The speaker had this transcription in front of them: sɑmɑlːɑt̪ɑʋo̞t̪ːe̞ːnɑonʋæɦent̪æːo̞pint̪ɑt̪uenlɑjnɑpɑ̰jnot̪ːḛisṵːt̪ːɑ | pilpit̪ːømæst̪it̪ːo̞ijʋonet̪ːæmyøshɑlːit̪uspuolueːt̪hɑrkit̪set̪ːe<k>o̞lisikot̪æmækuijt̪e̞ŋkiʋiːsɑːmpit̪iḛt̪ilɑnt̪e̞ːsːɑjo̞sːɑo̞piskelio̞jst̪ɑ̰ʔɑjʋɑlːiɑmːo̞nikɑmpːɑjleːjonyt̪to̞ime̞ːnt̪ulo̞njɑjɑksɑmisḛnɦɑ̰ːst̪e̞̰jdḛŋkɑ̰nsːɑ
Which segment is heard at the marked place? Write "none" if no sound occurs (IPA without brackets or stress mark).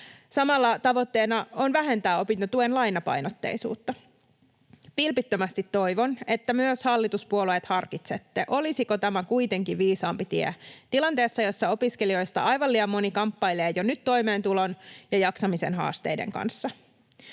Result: ʔ